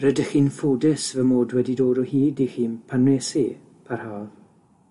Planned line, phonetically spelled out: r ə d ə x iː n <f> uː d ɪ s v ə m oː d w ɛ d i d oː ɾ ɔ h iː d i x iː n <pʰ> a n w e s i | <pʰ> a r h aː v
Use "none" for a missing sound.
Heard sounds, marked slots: f, pʰ, pʰ

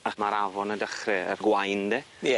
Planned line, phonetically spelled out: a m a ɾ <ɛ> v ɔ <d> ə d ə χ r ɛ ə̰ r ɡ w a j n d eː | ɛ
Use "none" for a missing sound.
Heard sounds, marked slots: a, n

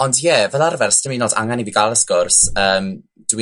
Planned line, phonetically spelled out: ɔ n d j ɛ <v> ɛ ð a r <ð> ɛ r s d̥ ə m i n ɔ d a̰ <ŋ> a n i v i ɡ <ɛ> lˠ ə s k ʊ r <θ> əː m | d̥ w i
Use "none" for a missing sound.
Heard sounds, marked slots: v, v, ŋ, a, s

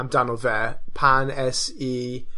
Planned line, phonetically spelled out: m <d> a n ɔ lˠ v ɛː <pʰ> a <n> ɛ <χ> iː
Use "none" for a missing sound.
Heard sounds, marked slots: d, pʰ, n, s

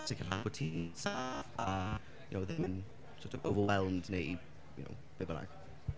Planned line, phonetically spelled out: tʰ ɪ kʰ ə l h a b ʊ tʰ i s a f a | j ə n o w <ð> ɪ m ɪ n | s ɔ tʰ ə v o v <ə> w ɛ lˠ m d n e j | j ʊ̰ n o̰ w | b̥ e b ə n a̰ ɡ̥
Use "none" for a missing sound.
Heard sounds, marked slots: ð, ə

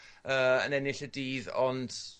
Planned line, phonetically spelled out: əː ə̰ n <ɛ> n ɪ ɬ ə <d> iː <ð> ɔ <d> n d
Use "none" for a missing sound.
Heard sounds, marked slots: ɛ, d, ð, none

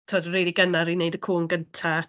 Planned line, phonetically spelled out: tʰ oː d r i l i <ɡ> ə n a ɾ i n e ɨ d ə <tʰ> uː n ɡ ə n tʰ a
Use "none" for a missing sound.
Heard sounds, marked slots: ɡ, kʰ

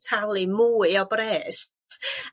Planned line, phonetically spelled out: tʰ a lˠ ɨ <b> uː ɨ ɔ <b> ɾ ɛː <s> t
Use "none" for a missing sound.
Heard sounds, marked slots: m, b, s

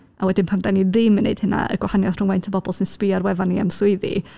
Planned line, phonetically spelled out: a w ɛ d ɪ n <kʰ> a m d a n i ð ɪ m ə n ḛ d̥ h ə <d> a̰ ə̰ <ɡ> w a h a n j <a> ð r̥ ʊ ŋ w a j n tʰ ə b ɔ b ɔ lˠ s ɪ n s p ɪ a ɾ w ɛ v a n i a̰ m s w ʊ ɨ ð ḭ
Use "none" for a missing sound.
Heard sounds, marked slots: pʰ, n, ɡ, a

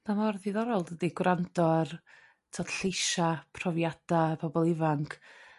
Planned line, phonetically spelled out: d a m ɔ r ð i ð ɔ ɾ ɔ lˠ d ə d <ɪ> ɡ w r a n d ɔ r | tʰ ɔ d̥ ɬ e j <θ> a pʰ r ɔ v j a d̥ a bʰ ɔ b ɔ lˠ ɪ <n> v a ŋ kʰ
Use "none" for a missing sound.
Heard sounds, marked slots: i, ʃ, none

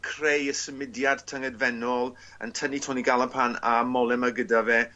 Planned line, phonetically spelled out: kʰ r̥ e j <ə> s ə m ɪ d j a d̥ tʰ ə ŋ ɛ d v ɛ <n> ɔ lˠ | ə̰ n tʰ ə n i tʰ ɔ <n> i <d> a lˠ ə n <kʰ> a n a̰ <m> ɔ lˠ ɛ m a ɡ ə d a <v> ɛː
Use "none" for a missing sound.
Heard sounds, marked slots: ə, n, n, ɡ, pʰ, m, v

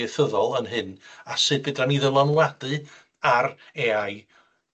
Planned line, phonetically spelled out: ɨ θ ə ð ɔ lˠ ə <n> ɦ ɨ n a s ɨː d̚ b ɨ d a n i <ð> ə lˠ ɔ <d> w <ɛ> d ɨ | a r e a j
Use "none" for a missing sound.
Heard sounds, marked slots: n, ð, n, a

